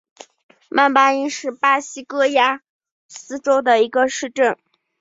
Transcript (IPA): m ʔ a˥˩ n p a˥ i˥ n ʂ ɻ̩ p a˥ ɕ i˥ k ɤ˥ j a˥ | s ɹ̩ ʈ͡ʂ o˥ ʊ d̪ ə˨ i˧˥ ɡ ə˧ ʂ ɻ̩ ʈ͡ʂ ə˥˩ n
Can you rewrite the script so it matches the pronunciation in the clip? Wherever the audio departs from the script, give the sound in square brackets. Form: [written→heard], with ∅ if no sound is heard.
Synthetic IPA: m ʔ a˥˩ n p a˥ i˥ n ʂ ɻ̩ p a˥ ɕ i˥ k ɤ˥ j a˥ | s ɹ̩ ʈ͡ʂ o˥ ʊ d̪ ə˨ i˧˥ ɡ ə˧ ʂ ɻ̩ ʈ͡ʂ ə˥˩ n